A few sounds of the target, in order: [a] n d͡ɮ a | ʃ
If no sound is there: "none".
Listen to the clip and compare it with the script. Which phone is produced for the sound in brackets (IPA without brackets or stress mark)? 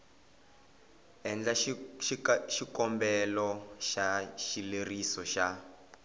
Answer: ɛ